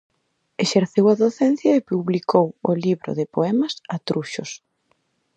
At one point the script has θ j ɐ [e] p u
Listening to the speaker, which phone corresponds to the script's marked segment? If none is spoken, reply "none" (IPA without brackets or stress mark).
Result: e